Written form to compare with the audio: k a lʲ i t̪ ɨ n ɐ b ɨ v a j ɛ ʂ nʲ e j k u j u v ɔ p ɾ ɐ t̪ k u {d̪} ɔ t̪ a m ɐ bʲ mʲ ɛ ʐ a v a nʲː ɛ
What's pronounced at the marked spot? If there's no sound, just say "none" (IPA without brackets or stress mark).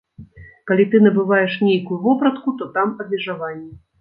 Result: t̪